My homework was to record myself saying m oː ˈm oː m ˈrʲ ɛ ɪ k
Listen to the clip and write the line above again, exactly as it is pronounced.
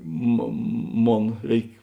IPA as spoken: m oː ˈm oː n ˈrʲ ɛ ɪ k